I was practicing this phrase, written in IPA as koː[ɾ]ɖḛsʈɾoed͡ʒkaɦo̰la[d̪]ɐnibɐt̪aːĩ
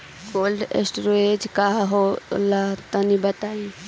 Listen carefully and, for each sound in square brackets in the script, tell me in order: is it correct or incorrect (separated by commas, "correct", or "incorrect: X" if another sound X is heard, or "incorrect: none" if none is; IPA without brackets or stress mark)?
incorrect: l, incorrect: t̪